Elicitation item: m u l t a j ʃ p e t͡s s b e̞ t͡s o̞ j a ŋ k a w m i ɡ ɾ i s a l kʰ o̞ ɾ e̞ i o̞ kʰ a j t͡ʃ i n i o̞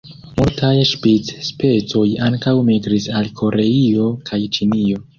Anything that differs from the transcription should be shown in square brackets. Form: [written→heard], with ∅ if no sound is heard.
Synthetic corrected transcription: m u l t a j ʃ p [e→i] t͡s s [b→p] e̞ t͡s o̞ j a ŋ k a w m i ɡ ɾ i s a l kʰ o̞ ɾ e̞ i o̞ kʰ a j t͡ʃ i n i o̞

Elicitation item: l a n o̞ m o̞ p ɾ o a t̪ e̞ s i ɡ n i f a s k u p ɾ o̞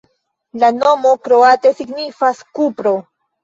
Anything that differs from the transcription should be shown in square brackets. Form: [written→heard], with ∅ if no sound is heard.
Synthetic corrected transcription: l a n o̞ m o̞ [p→k] ɾ o a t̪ e̞ s i ɡ n i f a s k u p ɾ o̞

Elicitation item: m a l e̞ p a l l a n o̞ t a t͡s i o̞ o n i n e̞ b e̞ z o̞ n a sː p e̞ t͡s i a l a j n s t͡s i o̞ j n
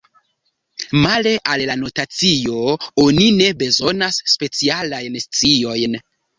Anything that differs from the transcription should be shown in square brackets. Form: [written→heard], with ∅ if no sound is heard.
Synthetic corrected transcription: m a l e̞ [p→ʔ] a l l a n o̞ t a t͡s i o̞ o n i n e̞ b e̞ z o̞ n a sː p e̞ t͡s i a l a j n s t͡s i o̞ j n

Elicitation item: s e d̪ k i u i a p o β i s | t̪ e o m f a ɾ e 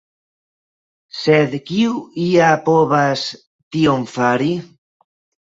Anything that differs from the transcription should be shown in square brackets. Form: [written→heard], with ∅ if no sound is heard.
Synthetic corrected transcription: s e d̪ k i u i a p o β [i→a] s | t̪ [e→i] o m f a ɾ [e→i]

